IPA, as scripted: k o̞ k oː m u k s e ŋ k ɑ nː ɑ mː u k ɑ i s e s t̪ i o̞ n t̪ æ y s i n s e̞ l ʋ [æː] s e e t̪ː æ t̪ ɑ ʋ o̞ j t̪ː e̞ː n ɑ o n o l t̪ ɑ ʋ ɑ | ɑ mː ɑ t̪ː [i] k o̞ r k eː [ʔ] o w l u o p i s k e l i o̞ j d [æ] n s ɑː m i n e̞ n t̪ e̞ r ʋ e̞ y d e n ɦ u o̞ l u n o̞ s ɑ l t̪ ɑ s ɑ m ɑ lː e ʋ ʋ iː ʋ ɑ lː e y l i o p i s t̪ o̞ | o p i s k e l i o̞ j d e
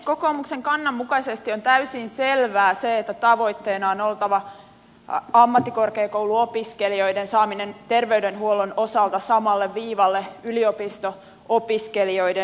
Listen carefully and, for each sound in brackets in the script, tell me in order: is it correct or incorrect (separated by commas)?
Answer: correct, correct, incorrect, incorrect